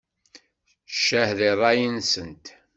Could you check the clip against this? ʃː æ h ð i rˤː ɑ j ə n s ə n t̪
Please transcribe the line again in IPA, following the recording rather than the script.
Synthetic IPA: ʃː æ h ð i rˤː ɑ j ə n s ə n t̪